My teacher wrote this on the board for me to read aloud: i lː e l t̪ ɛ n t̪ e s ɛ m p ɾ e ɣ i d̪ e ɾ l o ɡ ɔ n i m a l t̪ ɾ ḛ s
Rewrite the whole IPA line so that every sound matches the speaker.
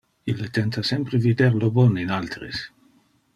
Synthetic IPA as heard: i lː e t̪ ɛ n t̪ a s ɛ m p ɾ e v i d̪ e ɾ l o b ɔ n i n a l t̪ ɾ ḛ s